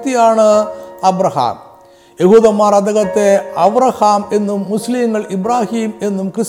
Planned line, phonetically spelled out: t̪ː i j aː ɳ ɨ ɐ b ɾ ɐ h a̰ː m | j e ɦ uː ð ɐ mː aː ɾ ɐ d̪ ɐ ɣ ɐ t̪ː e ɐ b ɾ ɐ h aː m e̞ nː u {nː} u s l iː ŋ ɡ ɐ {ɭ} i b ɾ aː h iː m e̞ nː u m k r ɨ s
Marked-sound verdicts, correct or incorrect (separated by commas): incorrect, correct